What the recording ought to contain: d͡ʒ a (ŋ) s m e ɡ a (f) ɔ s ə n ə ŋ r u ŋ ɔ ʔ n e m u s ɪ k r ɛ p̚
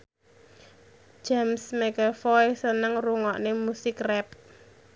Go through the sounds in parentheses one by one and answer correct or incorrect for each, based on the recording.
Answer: incorrect: m, correct

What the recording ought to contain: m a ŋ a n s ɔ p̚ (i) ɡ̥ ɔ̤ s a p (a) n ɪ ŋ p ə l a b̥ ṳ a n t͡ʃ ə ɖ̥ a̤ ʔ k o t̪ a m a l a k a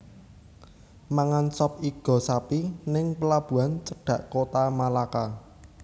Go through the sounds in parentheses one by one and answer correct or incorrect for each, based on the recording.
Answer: correct, incorrect: i

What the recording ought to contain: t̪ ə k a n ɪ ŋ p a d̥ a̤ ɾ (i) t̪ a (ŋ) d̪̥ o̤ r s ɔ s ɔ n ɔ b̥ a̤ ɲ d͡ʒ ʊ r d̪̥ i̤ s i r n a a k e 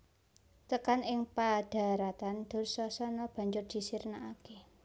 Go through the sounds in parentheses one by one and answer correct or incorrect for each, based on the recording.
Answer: incorrect: a, incorrect: n

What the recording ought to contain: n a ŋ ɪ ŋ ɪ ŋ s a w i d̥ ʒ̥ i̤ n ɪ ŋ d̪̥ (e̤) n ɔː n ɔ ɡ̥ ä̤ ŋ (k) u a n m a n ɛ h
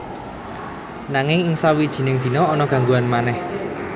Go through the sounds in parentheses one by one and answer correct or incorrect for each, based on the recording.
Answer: incorrect: i̤, incorrect: ɡ

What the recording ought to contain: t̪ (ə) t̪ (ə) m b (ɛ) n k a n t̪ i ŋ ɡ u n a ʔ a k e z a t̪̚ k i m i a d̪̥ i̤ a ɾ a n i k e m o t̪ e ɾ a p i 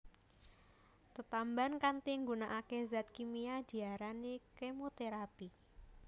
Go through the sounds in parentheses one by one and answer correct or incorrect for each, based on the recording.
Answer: correct, incorrect: a, incorrect: a

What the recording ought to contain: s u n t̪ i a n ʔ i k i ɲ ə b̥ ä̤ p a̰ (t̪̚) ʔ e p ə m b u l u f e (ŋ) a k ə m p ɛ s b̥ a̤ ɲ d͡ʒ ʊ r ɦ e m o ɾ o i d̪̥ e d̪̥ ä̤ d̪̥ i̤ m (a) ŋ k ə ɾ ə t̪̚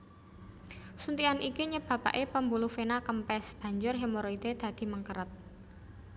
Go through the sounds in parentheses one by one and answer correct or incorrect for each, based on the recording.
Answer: incorrect: none, incorrect: n, incorrect: ə

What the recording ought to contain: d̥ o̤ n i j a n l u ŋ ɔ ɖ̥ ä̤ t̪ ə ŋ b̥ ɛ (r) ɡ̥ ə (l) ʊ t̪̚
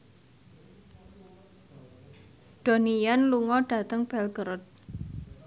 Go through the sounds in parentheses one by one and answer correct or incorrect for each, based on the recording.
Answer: incorrect: l, incorrect: ɾ

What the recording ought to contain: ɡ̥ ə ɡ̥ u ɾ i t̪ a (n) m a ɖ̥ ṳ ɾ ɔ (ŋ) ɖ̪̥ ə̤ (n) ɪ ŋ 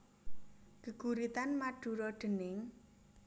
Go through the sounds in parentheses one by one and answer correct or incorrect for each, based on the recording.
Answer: correct, incorrect: none, correct

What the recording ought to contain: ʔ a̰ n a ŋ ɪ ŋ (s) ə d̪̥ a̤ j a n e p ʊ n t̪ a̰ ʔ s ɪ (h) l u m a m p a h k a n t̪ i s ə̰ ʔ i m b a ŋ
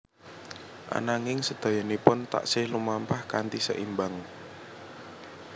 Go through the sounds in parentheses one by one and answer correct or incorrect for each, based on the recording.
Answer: correct, correct

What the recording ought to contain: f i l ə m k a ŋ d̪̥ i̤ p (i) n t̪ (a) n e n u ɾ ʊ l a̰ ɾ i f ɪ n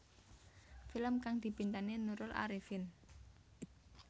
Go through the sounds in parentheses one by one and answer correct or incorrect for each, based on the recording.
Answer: correct, correct

